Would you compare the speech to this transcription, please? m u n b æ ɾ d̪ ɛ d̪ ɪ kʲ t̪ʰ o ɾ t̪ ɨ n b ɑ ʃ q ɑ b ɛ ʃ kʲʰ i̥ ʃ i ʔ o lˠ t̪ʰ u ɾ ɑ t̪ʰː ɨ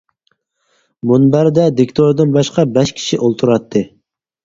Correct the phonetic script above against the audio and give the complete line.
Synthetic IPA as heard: m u n b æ ɾ d̪ ɛ d̪ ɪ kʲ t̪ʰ o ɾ d̪ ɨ n b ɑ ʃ q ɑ b ɛ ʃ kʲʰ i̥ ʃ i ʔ o lˠ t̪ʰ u ɾ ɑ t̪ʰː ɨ